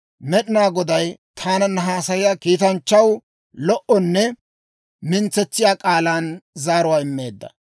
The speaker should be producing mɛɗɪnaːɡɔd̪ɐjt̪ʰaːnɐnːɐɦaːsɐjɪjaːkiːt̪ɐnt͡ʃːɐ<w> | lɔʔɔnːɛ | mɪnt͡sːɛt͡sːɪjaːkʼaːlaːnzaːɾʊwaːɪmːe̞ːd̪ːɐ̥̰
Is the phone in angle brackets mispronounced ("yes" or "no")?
no